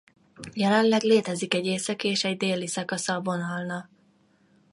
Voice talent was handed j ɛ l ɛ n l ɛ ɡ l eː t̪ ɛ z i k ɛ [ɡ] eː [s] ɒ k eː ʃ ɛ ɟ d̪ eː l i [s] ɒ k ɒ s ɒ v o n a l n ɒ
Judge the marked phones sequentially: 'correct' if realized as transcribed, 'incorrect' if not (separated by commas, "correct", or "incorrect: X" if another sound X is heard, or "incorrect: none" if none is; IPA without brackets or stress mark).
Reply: incorrect: ɟ, correct, correct